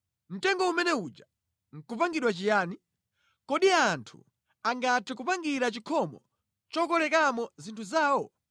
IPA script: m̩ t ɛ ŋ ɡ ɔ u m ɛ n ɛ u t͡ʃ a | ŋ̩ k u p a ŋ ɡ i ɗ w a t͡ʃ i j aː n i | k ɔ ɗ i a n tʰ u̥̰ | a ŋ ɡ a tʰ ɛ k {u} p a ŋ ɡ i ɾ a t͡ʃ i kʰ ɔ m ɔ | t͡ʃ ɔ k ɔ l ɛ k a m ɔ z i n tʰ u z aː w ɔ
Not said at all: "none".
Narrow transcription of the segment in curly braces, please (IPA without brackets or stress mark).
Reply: u